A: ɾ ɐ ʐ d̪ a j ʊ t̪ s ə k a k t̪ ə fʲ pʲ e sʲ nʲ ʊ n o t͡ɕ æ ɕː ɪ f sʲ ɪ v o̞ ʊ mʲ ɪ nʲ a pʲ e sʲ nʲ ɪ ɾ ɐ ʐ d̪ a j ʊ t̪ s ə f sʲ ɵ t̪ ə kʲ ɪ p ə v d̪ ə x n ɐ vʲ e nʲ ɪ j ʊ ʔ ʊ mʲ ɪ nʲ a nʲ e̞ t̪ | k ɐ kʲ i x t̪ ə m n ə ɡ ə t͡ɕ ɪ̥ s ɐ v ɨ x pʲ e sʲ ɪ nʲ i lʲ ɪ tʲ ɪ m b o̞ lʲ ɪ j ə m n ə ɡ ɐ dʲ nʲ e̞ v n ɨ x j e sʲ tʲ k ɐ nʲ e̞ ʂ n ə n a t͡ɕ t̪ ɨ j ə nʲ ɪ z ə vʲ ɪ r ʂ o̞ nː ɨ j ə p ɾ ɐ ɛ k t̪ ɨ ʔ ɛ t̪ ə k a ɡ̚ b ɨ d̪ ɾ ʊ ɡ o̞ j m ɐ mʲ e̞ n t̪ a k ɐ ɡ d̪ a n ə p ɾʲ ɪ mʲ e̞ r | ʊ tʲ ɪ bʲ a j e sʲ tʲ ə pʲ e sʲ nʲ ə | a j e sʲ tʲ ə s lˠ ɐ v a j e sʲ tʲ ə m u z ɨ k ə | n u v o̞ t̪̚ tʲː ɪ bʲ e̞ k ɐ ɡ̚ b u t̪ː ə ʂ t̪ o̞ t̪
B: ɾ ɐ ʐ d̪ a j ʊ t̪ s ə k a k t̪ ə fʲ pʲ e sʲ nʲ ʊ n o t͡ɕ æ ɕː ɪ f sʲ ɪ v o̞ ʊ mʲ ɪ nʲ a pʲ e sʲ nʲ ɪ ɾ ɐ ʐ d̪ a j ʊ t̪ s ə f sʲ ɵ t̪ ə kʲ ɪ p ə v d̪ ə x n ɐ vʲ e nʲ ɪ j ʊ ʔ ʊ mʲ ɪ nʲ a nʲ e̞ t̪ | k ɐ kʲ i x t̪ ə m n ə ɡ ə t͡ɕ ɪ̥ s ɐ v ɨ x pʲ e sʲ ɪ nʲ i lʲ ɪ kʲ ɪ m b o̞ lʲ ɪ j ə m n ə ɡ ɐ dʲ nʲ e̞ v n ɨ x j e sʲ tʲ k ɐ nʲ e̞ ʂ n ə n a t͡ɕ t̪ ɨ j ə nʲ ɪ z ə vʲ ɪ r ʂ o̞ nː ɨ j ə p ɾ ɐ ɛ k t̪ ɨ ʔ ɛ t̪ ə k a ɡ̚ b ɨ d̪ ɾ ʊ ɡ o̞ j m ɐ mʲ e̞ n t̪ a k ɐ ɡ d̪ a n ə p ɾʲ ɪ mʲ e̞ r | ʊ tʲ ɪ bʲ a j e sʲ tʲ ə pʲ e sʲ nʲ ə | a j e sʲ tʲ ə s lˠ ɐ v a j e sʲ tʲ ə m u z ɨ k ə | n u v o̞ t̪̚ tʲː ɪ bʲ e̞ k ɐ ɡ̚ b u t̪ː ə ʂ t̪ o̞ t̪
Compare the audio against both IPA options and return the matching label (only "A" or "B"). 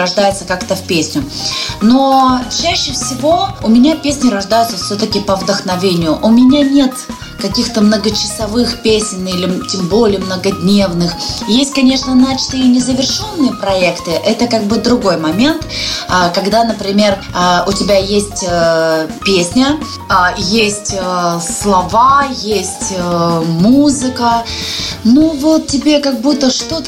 A